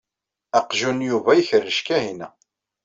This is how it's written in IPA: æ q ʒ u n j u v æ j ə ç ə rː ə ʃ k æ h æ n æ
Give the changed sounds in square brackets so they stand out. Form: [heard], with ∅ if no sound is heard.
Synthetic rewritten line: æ q ʒ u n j u v æ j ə ç ə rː ə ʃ k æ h [i] n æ

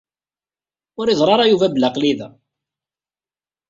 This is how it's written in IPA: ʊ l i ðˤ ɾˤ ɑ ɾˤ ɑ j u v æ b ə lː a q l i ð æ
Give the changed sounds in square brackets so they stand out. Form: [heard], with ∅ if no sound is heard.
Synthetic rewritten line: ʊ [ɾ] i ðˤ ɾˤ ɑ ɾˤ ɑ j u v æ b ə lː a q l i ð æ

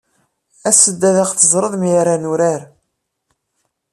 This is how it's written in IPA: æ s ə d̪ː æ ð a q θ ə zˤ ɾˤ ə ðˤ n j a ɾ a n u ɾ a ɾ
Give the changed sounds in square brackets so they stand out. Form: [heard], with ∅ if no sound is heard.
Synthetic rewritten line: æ s ə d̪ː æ ð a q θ ə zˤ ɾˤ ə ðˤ [m] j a ɾ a n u ɾ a ɾ

